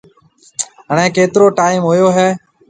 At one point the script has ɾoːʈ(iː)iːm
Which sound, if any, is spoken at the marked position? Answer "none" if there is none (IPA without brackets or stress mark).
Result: aː